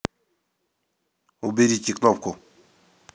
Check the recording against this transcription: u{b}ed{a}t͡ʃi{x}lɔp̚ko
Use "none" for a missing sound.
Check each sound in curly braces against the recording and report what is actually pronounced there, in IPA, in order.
b, i, k

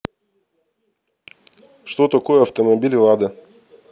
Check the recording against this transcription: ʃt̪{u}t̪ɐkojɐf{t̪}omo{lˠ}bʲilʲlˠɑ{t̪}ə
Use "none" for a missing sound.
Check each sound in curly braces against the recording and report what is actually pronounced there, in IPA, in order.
o, t̪, none, d̪

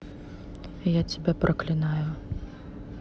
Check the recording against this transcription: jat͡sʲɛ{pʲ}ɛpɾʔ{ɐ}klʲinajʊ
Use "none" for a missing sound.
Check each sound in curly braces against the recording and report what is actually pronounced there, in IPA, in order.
bʲ, ɐ

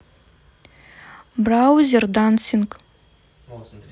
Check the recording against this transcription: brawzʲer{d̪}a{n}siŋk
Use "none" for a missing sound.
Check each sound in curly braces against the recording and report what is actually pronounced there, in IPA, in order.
d̪, n

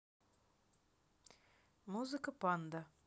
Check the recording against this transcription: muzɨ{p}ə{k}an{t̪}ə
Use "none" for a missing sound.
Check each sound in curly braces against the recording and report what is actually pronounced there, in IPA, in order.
k, p, d̪

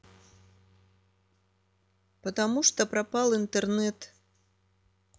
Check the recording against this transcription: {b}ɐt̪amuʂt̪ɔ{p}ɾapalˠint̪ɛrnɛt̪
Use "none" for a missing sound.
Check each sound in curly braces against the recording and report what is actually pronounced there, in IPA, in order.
p, p

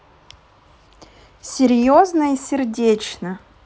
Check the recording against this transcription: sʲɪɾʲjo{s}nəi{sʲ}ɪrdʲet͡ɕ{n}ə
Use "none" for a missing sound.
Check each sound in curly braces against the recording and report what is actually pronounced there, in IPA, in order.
z, sʲ, n

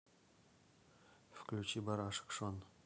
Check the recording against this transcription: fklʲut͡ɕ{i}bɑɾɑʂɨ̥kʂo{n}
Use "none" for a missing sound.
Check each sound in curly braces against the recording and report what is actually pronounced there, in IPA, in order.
i, n

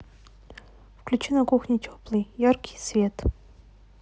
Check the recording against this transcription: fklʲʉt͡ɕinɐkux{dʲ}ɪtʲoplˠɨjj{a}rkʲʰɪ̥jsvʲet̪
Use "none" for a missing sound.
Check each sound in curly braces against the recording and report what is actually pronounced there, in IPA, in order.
nʲ, a

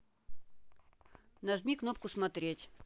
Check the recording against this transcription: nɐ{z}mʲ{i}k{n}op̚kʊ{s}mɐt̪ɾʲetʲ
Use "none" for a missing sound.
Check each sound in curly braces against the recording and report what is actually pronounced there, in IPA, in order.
ʐ, i, n, s

